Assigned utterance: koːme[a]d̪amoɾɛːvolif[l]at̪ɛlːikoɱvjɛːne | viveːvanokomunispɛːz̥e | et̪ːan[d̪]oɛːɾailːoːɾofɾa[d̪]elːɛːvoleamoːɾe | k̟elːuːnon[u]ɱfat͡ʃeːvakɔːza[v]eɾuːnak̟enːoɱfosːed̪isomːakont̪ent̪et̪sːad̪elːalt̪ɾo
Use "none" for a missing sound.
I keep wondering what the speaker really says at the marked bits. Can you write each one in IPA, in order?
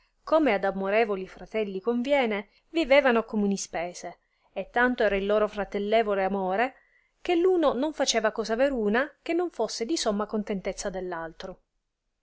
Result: a, ɾ, t̪, t̪, o, v

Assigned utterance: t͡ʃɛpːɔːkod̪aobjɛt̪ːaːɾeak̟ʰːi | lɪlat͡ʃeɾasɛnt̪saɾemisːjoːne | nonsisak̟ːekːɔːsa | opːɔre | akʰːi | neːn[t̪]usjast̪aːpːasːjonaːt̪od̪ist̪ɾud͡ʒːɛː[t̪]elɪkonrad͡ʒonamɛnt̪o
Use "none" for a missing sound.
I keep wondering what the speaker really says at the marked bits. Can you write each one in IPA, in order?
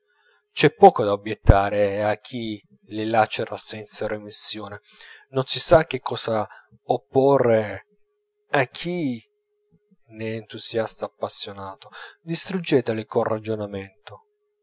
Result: t̪, t̪

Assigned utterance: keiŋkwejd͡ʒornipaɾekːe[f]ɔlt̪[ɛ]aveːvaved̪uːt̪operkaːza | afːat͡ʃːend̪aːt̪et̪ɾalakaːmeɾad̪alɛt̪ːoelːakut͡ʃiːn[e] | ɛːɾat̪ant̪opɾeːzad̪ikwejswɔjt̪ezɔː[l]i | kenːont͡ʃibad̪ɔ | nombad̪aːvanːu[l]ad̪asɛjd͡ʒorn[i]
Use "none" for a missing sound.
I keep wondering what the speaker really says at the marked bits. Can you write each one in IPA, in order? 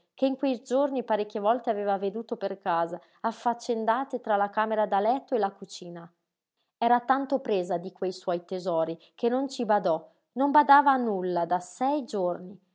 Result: v, e, a, ɾ, lː, i

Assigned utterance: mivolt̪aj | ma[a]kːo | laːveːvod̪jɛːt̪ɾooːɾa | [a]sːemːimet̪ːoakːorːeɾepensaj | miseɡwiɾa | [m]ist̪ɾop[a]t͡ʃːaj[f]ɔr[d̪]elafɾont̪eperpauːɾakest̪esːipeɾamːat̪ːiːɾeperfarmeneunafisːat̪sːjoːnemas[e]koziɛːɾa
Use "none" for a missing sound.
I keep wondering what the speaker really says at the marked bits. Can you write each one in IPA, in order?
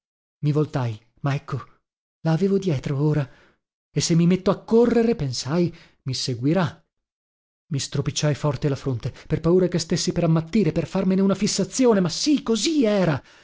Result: ɛ, e, m, i, f, t̪, i

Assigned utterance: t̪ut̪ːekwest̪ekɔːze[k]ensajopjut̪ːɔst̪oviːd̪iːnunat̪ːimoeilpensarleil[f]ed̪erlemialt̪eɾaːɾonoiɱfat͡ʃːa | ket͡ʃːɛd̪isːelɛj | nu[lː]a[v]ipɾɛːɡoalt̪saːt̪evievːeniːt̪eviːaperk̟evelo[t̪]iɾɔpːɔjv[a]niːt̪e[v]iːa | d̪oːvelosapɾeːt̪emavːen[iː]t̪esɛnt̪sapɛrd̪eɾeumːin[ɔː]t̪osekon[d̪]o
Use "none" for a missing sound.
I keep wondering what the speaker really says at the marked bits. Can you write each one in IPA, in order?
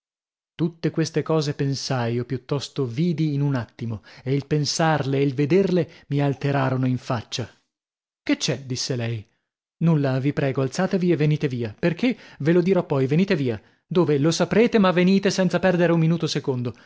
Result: p, v, lː, v, d̪, e, v, iː, uː, d̪

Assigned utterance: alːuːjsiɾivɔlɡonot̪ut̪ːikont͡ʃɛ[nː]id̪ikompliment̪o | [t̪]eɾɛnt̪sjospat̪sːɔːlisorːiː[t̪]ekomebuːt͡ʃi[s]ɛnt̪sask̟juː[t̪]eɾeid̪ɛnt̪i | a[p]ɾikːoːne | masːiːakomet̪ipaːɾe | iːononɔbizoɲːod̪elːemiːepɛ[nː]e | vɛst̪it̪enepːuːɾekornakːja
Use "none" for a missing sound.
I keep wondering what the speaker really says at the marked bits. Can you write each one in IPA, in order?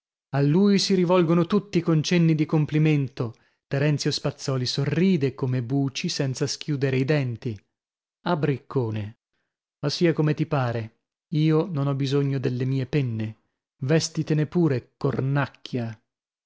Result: nː, t̪, d̪, s, d̪, b, nː

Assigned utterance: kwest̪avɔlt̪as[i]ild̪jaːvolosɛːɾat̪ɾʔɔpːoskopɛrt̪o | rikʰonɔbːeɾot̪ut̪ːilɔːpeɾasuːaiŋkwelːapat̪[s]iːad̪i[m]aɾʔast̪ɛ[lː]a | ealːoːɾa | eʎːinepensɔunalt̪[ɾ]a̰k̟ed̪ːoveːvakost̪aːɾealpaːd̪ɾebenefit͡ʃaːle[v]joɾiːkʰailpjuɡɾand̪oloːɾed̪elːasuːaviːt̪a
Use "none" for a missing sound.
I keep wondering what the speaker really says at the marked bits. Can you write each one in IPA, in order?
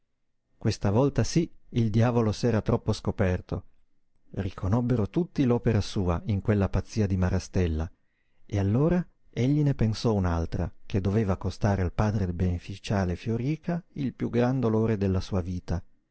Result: i, sː, m, lː, ɾ, f

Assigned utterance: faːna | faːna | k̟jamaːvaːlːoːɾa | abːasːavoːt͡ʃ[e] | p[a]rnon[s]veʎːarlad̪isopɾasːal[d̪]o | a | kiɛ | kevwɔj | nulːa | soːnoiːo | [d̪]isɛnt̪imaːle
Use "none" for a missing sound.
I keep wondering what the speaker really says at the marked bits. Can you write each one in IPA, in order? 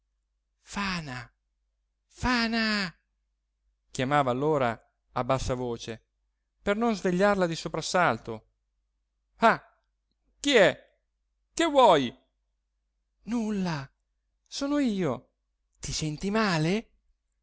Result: e, e, z, t̪, t̪

